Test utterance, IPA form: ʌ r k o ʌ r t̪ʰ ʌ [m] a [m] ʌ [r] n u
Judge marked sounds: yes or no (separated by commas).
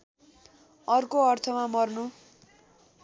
yes, yes, yes